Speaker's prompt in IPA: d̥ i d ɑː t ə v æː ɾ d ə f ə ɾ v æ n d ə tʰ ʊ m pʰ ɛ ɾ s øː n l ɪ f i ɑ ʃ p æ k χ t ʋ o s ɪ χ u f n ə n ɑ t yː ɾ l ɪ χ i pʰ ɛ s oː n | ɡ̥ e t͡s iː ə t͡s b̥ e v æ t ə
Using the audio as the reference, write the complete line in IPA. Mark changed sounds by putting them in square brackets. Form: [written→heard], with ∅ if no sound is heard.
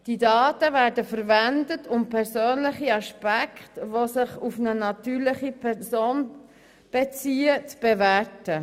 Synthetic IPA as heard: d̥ i d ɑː t ə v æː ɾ d ə f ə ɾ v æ n d ə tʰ ʊ m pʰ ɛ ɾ s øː n l ɪ [f→χ] i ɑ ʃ p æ k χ t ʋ o s ɪ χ u f n ə n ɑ t yː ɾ l ɪ χ i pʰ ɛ s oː n | [ɡ̥→b̥] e t͡s iː ə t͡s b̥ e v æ t ə